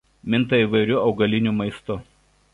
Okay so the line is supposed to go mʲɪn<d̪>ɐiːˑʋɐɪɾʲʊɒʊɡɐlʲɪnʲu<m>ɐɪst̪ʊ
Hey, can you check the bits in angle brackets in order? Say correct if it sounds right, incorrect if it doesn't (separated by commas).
incorrect, correct